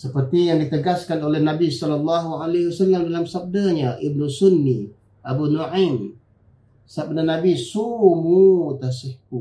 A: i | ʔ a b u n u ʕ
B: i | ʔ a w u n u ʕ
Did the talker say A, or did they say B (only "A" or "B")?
A